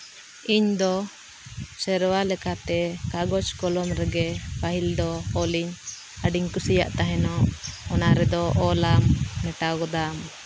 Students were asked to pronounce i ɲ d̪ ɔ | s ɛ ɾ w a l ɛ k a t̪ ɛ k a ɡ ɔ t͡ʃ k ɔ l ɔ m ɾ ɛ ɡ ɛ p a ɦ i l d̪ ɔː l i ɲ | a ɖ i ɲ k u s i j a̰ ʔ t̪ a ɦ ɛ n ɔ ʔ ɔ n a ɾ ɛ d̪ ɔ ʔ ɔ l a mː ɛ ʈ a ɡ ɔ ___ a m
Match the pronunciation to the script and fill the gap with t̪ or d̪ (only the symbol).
d̪